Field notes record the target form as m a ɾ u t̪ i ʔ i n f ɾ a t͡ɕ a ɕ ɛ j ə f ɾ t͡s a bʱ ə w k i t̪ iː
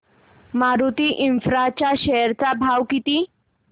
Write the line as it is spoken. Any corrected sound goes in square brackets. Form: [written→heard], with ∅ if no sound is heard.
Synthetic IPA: m a ɾ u t̪ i ʔ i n f ɾ a t͡ɕ a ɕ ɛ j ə [f→∅] ɾ t͡s a bʱ [ə→a] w k i t̪ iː